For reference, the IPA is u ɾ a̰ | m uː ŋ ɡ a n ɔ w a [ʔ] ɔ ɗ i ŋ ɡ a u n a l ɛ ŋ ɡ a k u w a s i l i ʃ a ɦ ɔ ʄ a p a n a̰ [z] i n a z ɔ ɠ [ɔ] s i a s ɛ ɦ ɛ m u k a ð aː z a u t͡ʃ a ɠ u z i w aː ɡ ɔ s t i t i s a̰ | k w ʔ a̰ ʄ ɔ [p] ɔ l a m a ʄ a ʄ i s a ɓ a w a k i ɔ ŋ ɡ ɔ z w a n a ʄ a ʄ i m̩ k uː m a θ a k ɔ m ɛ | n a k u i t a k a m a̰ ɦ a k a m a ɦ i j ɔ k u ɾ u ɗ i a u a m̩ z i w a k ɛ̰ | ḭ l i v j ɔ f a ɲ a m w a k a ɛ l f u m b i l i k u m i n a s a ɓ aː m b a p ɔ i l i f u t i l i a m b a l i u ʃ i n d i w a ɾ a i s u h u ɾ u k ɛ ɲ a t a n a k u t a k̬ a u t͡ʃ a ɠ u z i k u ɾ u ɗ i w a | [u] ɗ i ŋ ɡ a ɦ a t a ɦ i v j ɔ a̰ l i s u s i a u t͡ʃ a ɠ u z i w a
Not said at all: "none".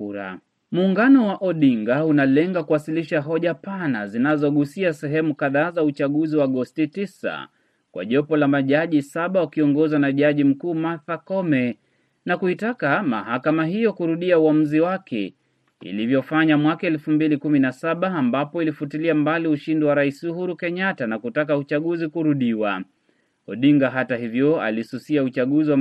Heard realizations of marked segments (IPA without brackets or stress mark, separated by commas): ʔ, z, u, p, ɔ